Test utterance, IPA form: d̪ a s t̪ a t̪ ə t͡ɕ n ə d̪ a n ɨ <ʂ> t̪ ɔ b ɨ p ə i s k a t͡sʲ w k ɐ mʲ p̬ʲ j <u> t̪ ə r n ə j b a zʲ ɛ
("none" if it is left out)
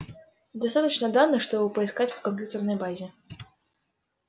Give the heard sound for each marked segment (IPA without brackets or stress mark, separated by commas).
ʂ, u